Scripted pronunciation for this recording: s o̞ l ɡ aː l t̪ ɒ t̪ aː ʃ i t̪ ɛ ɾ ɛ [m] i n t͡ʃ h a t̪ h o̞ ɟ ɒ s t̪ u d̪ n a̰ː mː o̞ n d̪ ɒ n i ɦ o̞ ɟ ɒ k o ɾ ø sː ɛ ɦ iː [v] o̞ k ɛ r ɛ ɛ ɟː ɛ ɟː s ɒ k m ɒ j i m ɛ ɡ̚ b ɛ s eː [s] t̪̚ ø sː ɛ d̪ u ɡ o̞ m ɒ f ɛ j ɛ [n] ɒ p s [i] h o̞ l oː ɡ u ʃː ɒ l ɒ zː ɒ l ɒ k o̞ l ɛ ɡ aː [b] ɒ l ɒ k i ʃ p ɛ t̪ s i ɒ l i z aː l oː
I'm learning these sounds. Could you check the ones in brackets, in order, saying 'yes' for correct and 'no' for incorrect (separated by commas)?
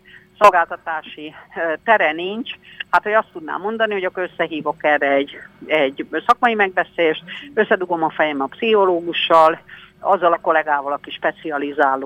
no, yes, no, no, yes, no